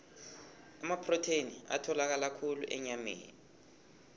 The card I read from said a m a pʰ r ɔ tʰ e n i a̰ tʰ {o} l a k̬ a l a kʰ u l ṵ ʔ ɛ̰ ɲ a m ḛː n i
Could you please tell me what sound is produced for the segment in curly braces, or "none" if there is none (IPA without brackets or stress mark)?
ɔ